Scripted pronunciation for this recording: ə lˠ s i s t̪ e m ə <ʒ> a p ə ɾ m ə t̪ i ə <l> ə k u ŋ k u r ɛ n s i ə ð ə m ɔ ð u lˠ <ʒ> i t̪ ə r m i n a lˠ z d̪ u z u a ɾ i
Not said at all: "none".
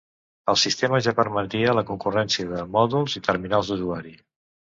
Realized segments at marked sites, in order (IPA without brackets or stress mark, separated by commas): ʒ, l, z